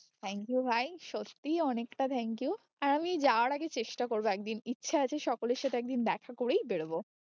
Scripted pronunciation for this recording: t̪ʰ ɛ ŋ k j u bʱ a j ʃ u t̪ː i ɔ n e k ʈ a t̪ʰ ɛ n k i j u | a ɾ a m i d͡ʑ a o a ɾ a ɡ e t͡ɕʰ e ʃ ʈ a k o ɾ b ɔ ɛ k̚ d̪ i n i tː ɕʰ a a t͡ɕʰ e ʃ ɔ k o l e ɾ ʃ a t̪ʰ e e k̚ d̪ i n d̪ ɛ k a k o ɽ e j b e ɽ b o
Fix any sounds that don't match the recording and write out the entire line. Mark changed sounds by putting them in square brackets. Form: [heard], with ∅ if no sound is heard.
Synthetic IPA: t̪ʰ ɛ ŋ k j u bʱ a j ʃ [o] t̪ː i ɔ n e k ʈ a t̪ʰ ɛ [ŋ] k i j u | a ɾ a m i d͡ʑ a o a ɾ a ɡ e [t͡ɕ] e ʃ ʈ a k o ɾ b [o] ɛ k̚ d̪ i n i tː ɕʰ a a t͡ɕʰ e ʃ ɔ k o l e ɾ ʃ a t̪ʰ e [ɛ] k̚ d̪ i n d̪ ɛ [kʰ] a k o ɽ e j b e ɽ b o